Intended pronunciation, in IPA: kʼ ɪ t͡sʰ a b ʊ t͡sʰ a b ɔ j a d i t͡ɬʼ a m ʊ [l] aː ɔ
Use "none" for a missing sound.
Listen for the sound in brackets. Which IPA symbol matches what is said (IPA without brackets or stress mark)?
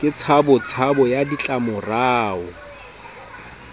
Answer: r